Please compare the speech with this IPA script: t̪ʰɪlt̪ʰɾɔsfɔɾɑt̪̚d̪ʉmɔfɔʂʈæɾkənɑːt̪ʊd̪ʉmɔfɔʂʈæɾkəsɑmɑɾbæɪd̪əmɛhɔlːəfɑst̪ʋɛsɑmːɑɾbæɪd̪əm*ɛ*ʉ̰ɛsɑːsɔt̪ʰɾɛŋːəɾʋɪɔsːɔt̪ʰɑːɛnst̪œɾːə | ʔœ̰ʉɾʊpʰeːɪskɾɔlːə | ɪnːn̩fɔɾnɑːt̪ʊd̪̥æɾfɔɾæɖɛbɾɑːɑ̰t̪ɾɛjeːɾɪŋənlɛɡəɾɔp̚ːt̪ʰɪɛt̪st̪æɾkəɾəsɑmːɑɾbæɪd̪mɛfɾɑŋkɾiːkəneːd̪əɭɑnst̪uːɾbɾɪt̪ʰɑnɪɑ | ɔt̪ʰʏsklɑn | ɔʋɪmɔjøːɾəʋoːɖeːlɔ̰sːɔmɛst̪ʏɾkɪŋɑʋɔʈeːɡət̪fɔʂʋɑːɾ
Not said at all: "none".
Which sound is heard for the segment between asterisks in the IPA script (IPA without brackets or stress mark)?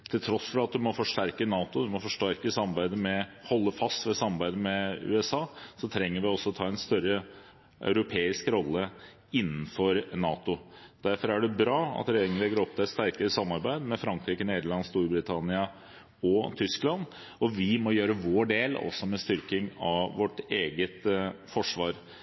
ɛ